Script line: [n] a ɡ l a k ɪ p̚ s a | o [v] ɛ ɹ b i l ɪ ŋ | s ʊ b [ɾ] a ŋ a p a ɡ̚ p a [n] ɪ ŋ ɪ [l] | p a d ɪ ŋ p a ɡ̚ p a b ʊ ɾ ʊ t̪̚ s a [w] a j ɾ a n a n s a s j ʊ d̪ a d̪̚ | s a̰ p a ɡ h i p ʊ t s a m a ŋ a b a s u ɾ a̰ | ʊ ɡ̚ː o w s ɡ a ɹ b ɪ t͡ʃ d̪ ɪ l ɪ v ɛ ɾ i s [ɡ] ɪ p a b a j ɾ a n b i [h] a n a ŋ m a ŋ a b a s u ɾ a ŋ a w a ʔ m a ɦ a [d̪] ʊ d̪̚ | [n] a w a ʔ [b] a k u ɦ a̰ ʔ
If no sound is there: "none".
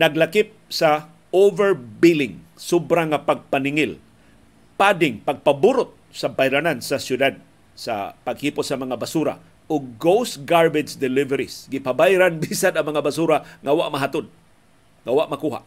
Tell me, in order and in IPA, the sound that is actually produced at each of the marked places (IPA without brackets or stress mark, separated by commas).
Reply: n, v, ɾ, n, l, b, ɡ, s, t̪, ŋ, m